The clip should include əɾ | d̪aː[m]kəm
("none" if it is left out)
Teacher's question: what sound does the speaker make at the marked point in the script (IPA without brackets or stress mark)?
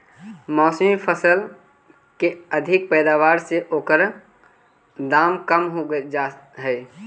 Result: m